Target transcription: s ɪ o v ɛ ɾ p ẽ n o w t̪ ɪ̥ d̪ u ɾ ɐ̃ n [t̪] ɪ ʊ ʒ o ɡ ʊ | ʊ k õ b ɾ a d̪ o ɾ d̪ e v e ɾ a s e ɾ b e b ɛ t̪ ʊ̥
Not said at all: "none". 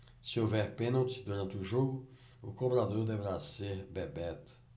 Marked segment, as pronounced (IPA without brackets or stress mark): t̪